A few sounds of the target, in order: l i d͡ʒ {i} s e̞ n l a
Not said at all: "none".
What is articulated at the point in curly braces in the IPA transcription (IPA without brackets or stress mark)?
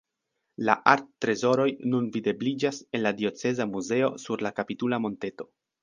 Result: a